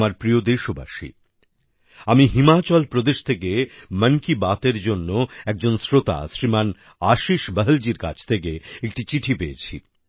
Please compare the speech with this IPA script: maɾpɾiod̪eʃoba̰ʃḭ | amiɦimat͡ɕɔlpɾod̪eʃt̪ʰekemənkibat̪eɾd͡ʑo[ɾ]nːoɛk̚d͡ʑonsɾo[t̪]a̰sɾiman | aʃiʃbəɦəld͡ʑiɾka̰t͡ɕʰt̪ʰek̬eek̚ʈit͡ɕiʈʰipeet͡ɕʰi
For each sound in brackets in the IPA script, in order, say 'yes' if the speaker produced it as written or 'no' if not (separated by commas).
no, yes